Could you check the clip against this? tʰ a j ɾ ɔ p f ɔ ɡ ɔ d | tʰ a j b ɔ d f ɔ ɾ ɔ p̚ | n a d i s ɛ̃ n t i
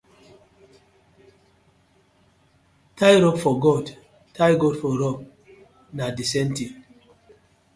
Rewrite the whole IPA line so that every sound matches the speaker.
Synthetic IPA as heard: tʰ a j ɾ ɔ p f ɔ ɡ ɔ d | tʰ a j ɡ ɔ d f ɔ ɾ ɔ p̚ | n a d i s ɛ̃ n t i